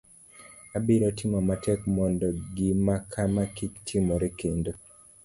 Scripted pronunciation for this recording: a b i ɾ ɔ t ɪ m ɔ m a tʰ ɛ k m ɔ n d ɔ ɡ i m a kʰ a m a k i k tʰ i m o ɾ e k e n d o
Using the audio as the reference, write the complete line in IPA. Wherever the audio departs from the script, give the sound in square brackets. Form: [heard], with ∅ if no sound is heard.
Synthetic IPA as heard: a b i ɾ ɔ t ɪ m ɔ m a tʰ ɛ k m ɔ n d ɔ ɡ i m a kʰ a m a k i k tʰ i m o ɾ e k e n d o